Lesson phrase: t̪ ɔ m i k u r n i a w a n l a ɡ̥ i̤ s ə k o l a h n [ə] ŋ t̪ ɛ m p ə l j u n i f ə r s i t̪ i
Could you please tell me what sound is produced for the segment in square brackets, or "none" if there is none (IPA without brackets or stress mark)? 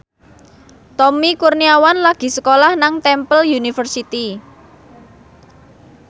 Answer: a